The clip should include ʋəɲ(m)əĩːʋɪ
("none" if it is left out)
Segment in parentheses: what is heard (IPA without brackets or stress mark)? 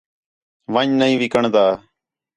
n